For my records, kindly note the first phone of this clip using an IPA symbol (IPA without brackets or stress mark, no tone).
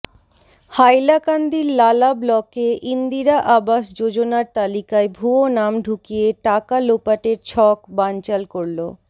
h